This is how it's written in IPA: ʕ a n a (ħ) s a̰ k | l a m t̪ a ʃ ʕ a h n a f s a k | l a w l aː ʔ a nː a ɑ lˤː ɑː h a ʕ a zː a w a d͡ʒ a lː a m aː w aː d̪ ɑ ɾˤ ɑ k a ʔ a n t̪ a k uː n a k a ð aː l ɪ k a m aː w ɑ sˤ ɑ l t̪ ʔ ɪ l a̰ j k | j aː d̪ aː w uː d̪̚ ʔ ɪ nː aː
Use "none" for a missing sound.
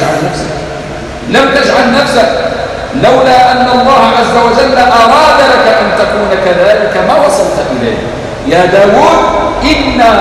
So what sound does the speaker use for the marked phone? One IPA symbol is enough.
f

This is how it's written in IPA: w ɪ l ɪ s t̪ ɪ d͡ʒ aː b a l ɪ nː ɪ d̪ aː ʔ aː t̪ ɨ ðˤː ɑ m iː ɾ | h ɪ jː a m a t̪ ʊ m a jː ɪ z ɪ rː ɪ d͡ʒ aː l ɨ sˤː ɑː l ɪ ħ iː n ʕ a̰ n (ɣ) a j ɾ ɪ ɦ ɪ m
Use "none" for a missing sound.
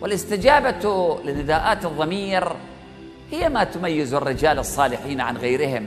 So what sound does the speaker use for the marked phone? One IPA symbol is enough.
ɣ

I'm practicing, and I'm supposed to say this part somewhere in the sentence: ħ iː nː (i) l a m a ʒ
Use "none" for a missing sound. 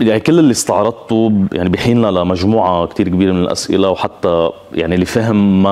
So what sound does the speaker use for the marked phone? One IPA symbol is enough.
a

